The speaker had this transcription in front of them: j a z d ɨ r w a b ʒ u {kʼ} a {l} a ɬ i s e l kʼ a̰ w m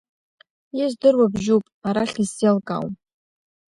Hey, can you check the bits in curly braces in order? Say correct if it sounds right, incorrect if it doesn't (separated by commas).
incorrect, incorrect